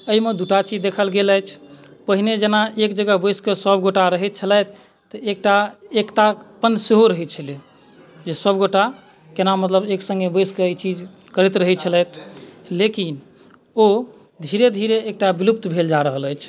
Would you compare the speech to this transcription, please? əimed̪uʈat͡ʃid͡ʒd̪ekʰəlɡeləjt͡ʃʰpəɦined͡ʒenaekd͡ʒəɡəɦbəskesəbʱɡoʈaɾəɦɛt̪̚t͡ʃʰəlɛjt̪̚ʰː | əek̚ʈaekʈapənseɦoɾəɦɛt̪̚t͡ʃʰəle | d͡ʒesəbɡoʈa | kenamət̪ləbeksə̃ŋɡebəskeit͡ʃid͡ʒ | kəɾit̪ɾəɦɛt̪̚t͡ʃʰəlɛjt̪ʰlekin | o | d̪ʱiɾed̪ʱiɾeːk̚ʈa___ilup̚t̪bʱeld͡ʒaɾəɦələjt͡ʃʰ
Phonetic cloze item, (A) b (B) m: A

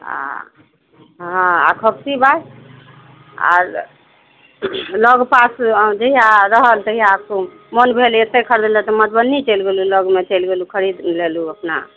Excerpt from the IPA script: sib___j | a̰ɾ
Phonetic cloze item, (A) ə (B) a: B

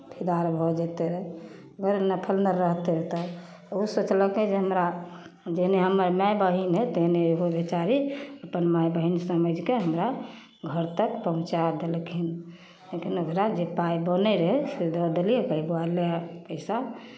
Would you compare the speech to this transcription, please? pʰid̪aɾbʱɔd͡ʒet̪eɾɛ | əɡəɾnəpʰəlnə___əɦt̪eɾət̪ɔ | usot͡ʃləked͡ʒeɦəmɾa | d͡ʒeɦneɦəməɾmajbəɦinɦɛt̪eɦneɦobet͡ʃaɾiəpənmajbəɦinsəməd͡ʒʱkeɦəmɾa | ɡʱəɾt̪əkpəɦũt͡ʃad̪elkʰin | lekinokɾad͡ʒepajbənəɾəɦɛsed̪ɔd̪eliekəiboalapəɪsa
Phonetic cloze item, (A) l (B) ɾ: B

